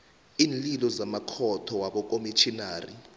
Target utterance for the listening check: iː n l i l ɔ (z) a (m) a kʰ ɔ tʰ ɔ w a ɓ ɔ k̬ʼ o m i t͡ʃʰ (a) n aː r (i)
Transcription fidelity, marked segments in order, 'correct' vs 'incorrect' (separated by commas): correct, correct, incorrect, correct